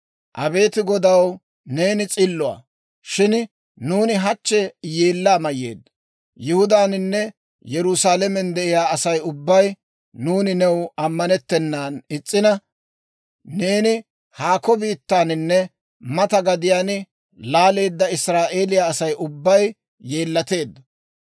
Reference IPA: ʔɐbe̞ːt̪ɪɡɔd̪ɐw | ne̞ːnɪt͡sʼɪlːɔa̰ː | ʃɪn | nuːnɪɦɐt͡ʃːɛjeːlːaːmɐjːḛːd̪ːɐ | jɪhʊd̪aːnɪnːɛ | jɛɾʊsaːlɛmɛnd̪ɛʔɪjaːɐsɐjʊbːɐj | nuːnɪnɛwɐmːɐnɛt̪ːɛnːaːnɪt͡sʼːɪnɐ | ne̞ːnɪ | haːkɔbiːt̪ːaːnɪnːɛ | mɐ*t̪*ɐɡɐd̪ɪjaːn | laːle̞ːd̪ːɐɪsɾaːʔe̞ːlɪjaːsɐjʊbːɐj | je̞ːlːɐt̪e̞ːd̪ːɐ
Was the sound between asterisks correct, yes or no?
yes